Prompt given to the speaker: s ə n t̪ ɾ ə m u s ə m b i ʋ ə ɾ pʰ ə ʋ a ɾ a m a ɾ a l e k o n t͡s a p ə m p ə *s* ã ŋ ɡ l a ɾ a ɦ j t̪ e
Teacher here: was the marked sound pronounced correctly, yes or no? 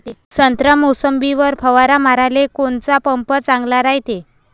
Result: no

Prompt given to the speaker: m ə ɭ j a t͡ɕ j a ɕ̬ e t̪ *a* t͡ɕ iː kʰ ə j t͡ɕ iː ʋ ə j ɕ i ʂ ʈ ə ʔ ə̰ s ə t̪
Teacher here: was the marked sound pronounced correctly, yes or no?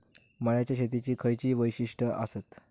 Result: no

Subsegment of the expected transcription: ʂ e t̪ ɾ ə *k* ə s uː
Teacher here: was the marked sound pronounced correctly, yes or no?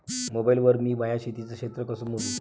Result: yes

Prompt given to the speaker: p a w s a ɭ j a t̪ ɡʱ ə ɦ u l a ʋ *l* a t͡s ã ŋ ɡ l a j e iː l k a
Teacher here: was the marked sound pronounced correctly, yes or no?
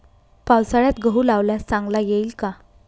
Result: yes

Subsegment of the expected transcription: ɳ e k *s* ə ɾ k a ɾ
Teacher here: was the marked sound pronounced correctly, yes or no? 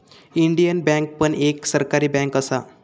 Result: yes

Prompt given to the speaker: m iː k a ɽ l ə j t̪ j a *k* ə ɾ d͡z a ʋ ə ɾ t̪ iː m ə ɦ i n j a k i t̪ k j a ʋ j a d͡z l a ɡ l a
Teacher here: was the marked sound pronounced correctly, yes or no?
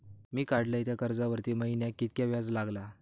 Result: yes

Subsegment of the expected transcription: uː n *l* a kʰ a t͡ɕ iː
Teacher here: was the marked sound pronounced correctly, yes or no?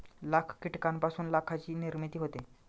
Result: yes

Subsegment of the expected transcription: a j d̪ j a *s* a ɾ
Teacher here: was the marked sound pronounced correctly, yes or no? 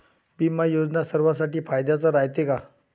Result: no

